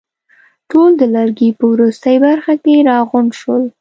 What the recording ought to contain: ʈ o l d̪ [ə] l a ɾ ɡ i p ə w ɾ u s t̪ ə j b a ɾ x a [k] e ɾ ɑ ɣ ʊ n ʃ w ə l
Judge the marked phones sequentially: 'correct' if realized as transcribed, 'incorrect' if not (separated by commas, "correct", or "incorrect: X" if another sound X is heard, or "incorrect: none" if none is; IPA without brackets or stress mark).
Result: correct, correct